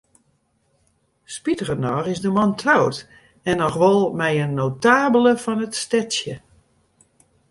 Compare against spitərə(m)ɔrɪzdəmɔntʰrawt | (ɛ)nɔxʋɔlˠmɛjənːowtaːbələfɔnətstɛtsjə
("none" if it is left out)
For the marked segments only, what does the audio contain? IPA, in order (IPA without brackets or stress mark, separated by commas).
n, ɛ